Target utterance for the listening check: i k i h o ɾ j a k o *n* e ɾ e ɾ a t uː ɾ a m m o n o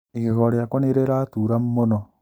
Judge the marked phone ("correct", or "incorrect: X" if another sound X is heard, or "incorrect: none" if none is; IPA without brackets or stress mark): correct